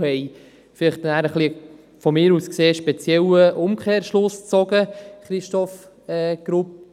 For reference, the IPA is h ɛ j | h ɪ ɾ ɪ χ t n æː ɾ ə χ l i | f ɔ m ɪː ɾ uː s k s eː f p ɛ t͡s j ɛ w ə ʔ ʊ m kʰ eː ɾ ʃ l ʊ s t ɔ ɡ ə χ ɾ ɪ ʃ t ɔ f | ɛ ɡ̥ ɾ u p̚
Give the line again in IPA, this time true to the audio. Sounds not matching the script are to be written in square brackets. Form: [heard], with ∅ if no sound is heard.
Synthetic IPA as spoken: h ɛ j | [f] ɪ [l] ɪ χ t n æː ɾ ə χ l i | f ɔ m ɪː ɾ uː s k s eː [ʃ] p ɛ t͡s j ɛ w ə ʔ ʊ m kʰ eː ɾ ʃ l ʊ s [t͡s] ɔ ɡ ə χ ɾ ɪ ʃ t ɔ f | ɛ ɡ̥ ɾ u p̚